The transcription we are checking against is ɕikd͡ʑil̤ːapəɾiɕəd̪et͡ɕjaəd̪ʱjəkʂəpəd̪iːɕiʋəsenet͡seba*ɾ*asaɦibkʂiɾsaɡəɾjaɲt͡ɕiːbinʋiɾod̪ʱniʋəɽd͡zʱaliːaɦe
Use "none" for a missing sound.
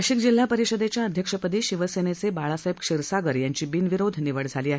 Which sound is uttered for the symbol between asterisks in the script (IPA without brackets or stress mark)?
ɭ